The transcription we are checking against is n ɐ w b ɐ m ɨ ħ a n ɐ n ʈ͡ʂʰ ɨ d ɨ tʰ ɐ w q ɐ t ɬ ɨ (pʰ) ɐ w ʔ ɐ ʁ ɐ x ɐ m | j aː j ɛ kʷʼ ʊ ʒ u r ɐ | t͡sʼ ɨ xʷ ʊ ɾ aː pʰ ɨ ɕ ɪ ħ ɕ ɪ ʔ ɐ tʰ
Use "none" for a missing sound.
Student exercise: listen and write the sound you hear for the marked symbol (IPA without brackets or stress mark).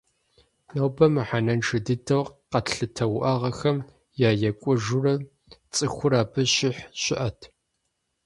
tʰ